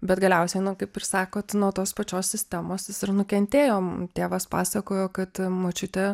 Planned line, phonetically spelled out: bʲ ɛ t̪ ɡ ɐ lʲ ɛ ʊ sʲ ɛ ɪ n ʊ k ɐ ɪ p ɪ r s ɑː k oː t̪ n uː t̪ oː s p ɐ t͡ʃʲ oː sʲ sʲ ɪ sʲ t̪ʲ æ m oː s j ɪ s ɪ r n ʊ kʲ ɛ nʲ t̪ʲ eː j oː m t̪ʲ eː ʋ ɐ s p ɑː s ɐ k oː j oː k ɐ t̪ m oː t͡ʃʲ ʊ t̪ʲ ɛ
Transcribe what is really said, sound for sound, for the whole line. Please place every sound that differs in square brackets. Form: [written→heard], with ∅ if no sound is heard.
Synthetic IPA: bʲ ɛ t̪ ɡ ɐ lʲ ɛ ʊ sʲ ɛ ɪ n ʊ k ɐ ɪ p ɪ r s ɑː k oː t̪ n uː t̪ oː s p ɐ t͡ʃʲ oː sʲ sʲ ɪ sʲ t̪ʲ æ m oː s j ɪ s ɪ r n ʊ kʲ ɛ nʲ t̪ʲ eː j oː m t̪ʲ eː ʋ ɐ s p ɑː s ɐ k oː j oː k ɐ t̪ m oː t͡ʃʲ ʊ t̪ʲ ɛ